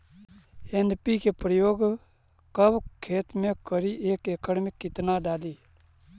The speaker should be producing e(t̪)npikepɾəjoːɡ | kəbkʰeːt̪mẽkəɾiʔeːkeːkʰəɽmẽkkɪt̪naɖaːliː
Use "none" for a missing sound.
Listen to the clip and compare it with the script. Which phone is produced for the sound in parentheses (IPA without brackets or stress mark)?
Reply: none